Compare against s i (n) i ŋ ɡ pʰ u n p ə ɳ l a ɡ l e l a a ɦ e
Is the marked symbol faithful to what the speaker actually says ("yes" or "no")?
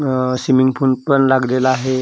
no